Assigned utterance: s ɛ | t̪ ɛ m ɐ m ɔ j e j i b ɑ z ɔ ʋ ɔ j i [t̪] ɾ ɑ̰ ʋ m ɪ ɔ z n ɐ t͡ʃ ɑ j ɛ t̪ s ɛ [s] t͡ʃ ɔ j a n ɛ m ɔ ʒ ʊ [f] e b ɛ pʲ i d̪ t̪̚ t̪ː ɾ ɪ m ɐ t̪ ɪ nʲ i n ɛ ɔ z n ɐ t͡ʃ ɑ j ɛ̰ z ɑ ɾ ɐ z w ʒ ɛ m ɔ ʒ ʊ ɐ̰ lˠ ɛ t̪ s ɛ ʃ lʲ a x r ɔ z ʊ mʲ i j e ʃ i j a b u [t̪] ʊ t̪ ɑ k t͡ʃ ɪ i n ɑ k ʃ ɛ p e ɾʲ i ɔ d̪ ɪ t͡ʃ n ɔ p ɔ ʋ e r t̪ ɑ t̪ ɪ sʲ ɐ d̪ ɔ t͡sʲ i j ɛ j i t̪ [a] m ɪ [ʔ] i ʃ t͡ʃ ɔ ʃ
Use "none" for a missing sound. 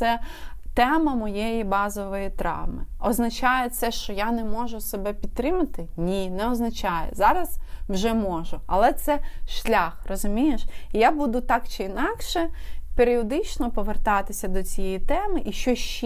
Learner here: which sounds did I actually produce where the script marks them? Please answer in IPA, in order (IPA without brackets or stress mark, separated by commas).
t̪, ʃ, s, d̪, ɛ, ʔ